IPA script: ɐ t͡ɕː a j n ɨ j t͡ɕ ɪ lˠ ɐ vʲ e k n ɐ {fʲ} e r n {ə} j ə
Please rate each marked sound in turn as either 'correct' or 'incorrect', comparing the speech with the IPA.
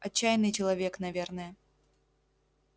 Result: incorrect: vʲ, correct

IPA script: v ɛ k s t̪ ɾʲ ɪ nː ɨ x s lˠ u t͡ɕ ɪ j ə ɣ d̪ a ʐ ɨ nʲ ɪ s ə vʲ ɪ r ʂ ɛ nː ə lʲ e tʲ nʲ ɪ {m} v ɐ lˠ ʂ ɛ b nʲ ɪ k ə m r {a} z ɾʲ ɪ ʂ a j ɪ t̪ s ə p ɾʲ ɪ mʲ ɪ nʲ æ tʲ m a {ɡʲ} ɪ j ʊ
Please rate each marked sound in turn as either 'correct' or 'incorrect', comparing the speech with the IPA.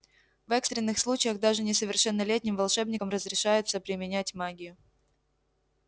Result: correct, incorrect: ə, correct

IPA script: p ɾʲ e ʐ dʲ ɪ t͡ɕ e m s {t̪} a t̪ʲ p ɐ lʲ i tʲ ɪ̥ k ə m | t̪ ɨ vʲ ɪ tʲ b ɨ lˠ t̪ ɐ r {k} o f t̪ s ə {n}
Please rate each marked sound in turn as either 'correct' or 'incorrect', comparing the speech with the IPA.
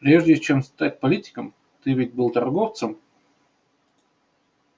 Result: correct, incorrect: ɡ, incorrect: m

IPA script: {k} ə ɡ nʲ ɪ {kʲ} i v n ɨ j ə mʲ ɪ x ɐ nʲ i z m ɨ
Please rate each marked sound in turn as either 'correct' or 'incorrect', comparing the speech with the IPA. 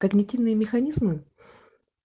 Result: correct, incorrect: tʲ

